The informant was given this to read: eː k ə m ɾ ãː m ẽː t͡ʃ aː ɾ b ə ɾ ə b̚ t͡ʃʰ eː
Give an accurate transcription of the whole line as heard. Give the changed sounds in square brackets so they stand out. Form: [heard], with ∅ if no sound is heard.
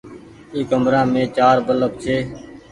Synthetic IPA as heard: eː k ə m ɾ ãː m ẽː t͡ʃ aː ɾ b ə [l] ə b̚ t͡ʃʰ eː

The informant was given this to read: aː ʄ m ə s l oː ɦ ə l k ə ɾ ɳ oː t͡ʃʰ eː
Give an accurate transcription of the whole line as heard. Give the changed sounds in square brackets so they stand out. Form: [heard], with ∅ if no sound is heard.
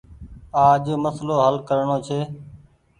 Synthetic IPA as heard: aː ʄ m ə s l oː ɦ ə l k ə ɾ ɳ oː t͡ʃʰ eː

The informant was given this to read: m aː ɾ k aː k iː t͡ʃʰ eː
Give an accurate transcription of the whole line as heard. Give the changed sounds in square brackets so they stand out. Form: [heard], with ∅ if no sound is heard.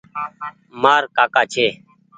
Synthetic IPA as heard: m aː ɾ k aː k [aː] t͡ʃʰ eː

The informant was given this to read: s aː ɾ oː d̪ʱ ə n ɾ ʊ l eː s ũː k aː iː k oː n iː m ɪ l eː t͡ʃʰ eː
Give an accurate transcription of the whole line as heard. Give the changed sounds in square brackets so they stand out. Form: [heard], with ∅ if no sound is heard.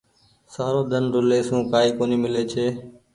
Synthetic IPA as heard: s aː ɾ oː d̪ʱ ə n ɾ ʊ l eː s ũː k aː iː k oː n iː m ɪ l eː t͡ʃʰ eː

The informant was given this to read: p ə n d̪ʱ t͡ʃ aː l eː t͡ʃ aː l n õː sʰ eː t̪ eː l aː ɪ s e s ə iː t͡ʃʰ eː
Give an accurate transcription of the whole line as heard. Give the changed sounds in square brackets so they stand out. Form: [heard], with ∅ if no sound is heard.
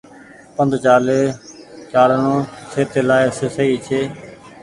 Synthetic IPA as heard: p ə n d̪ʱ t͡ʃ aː l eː t͡ʃ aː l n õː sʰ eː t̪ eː l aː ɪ s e s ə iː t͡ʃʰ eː

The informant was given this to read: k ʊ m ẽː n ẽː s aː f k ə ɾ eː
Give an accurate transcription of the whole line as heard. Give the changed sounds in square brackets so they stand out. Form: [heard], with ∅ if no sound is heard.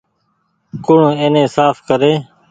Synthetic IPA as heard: k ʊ [ɳ] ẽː n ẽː s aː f k ə ɾ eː

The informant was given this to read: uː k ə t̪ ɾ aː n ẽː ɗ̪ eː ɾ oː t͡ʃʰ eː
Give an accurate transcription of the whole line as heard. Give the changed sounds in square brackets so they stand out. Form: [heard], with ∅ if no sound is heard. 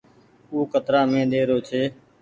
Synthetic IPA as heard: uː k ə t̪ ɾ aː [m] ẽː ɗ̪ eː ɾ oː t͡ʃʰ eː

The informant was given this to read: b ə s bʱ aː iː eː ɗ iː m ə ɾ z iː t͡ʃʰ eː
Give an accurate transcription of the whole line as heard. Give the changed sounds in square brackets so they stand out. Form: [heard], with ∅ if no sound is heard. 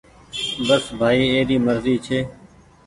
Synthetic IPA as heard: b ə s bʱ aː iː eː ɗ iː m ə ɾ z iː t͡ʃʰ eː

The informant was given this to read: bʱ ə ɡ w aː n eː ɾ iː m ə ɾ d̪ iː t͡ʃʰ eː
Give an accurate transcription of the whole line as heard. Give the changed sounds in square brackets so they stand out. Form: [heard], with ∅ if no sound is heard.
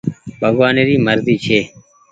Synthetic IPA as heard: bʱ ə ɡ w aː n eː ɾ iː m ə ɾ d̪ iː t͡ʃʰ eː

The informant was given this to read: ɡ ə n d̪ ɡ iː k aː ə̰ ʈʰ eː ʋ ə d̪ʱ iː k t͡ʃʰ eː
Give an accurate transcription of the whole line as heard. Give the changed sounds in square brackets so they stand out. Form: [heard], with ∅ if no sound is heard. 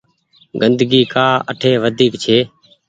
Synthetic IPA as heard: ɡ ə n d̪ ɡ iː k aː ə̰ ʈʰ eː ʋ ə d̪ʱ iː k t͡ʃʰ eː

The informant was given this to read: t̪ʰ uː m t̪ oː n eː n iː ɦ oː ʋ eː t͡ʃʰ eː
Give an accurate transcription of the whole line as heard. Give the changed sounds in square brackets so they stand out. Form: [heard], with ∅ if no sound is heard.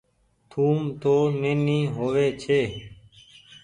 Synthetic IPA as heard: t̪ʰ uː m t̪ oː n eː n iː ɦ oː ʋ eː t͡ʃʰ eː

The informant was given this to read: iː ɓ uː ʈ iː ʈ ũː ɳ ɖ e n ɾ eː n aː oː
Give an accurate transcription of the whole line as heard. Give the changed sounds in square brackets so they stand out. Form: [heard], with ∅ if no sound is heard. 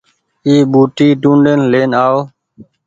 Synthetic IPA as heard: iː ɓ uː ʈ iː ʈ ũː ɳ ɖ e n [l] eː n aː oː

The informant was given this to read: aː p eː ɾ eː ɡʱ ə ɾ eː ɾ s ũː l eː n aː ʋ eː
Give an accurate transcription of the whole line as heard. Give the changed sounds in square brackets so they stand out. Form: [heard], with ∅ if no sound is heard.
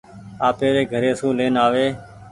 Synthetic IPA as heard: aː p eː ɾ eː ɡʱ ə ɾ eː [∅] s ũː l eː n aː ʋ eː

